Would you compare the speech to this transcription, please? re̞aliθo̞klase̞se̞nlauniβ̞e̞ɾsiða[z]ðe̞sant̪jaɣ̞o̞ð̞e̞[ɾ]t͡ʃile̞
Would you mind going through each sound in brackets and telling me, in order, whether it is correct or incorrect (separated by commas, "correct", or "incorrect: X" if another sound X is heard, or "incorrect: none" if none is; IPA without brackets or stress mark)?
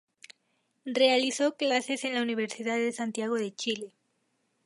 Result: incorrect: ð, incorrect: none